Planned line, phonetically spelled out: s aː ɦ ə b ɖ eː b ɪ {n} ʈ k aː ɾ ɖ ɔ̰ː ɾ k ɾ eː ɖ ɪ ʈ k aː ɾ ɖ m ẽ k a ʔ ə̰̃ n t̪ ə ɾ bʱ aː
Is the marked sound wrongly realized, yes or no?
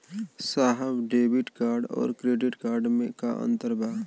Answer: yes